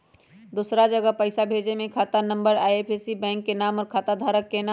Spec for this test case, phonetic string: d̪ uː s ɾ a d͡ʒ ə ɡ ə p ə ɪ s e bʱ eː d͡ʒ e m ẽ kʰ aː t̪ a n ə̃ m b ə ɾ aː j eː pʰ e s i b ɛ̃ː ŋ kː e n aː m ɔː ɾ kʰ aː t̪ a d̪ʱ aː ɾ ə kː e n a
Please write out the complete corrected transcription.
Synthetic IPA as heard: d̪ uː s ɾ a d͡ʒ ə ɡ ə p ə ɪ s a bʱ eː d͡ʒ e m ẽ kʰ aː t̪ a n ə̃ m b ə ɾ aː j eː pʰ e s i b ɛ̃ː ŋ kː e n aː m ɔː ɾ kʰ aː t̪ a d̪ʱ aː ɾ ə kː e n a